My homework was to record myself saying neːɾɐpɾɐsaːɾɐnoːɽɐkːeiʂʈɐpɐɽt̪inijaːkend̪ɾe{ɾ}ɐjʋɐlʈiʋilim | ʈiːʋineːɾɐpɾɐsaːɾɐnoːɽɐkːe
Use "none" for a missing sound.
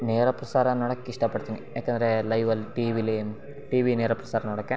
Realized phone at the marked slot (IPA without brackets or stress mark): l